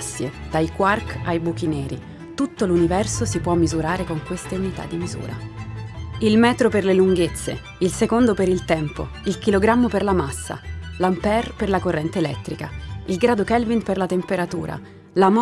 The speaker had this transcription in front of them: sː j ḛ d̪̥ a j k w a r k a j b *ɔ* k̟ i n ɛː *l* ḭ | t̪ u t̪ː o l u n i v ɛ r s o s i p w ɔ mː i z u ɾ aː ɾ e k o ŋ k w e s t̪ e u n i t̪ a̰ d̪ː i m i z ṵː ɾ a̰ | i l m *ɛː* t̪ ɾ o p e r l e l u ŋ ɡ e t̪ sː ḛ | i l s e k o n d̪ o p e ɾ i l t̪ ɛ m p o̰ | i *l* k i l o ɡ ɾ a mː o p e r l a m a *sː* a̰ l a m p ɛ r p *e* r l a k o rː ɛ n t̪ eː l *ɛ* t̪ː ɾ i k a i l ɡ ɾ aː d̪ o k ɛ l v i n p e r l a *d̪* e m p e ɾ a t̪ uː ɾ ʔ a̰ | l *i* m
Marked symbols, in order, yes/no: no, no, yes, yes, yes, yes, yes, no, no

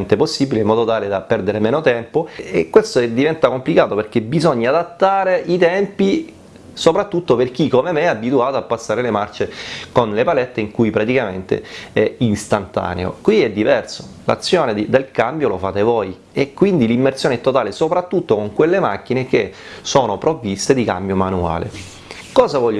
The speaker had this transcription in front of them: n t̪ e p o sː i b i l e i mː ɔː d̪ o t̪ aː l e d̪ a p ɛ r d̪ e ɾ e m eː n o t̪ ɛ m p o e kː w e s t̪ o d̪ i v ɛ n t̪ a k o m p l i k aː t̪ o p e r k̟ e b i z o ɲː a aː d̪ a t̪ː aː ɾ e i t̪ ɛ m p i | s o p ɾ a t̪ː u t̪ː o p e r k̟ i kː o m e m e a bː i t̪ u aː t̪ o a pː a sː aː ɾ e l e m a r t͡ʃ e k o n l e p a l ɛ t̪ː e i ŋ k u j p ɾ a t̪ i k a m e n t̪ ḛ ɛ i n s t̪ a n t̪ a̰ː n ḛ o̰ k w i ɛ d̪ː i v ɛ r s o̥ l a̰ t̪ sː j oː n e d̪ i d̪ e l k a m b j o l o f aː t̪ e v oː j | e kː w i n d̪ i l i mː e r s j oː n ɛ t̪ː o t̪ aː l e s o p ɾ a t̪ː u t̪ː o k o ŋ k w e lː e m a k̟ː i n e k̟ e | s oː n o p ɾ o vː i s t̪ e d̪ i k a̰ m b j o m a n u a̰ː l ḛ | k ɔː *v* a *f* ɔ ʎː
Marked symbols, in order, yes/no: no, no

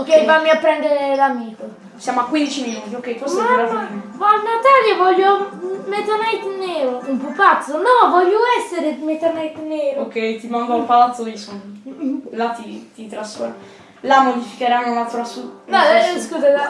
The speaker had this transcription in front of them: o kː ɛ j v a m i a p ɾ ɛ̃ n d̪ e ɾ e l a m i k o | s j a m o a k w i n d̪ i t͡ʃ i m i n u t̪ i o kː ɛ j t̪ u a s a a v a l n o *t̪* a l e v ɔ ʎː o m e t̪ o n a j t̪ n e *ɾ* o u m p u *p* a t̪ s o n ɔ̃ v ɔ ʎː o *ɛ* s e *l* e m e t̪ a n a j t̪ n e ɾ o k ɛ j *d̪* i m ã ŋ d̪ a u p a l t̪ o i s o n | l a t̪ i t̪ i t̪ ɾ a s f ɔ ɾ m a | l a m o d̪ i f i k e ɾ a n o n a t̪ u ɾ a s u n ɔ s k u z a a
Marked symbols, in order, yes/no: yes, yes, yes, yes, no, no

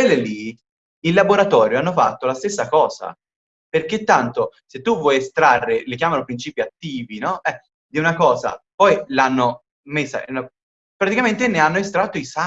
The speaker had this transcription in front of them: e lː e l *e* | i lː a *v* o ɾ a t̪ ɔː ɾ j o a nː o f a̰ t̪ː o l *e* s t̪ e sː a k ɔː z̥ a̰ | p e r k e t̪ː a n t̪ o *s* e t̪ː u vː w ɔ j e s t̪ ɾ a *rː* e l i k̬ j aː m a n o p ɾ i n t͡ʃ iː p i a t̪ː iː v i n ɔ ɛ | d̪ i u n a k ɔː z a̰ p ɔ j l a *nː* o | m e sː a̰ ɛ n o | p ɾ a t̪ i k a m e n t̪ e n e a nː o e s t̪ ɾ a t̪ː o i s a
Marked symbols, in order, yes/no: no, no, no, yes, yes, yes

